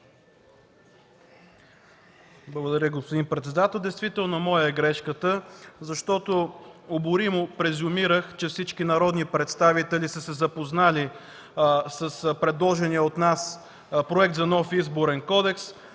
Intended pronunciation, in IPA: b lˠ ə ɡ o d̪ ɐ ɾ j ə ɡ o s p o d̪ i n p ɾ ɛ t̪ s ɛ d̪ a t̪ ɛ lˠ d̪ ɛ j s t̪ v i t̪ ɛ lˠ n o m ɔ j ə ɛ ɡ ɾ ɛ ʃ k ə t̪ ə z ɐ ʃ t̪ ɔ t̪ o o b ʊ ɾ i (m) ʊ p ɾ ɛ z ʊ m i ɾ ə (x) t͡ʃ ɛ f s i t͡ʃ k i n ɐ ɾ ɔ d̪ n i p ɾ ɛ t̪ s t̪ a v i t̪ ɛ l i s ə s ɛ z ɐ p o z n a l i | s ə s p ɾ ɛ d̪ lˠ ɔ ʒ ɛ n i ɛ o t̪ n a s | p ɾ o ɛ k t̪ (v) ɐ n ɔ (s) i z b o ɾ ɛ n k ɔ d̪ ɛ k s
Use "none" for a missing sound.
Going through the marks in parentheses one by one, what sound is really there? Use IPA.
m, x, z, f

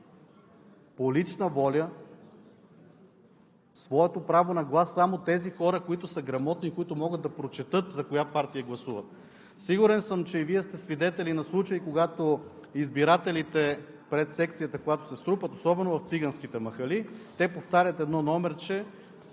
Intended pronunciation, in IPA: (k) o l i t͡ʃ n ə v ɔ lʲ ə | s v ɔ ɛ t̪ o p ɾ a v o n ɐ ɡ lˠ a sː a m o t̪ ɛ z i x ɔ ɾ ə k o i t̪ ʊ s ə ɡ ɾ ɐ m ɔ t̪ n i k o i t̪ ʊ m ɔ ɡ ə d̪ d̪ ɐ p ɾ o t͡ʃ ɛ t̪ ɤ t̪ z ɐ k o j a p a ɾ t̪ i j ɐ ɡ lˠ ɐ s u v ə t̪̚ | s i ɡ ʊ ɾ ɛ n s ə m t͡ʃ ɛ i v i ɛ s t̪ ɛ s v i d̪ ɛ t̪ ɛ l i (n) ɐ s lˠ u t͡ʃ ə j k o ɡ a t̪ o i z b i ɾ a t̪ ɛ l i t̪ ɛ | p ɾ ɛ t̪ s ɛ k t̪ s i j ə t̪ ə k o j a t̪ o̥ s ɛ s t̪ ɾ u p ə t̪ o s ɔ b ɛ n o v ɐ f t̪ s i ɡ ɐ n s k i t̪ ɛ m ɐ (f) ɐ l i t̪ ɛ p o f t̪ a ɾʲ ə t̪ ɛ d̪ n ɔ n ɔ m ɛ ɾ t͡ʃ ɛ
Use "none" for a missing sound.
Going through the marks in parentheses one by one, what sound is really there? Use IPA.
p, n, x

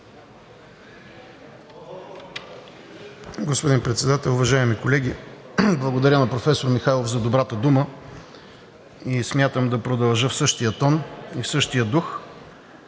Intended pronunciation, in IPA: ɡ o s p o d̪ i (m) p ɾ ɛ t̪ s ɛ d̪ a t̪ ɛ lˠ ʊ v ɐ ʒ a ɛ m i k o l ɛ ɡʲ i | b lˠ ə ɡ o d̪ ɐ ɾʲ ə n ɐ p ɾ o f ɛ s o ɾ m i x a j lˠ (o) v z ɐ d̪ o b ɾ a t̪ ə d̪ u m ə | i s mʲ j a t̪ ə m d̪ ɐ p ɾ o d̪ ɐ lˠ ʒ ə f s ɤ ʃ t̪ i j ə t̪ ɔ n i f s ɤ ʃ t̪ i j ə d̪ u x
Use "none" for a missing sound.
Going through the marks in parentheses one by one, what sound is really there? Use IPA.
n, o

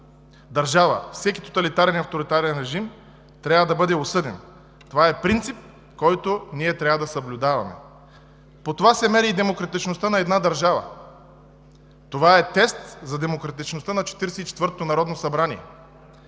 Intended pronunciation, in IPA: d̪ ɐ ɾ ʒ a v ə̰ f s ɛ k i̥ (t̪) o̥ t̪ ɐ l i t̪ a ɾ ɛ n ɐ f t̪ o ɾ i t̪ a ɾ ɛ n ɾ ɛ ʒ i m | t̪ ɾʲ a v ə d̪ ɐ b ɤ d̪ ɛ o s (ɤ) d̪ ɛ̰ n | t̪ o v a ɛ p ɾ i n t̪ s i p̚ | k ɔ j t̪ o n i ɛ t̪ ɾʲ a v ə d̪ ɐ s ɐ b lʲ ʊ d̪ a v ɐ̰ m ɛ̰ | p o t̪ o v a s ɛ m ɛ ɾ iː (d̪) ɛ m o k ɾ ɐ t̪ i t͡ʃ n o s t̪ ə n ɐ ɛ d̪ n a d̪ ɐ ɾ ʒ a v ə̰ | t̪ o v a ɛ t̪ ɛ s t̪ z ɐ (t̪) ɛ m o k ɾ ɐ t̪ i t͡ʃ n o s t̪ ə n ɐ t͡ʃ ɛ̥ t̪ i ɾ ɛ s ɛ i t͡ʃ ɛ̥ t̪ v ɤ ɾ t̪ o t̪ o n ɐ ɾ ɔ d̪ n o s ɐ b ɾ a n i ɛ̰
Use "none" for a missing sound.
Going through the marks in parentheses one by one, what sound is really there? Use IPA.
t̪, ɤ, d̪, d̪

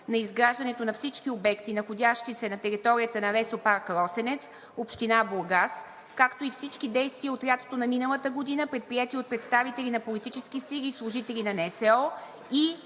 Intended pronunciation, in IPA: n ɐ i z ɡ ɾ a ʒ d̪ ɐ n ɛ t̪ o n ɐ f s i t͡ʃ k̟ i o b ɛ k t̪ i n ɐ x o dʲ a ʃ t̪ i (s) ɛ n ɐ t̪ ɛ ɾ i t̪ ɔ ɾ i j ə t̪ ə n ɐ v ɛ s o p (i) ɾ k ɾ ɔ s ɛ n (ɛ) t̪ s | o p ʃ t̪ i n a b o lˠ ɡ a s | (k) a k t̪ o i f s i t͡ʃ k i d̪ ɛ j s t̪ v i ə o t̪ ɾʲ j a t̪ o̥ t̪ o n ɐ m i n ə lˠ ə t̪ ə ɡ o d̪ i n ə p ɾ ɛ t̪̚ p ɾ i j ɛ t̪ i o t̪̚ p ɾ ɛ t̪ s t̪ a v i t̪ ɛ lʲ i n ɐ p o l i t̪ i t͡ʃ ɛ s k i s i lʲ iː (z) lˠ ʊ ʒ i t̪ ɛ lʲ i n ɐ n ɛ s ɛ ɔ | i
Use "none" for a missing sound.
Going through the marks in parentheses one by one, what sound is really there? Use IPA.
s, a, ɛ, k, s

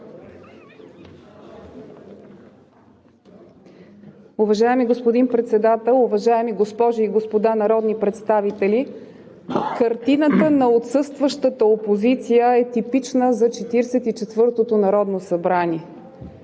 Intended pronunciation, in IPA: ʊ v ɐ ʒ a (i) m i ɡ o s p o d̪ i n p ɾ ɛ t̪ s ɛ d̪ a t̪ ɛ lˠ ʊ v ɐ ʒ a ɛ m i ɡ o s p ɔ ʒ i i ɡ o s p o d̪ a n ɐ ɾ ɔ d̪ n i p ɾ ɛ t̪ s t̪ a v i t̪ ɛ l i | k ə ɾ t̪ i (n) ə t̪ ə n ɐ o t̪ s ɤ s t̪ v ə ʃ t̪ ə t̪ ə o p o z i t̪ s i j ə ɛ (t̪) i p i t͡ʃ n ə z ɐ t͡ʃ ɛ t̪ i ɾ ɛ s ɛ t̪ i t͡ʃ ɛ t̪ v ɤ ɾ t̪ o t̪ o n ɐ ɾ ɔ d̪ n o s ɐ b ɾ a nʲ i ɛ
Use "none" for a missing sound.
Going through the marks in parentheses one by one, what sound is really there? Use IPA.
ɛ, n, t̪

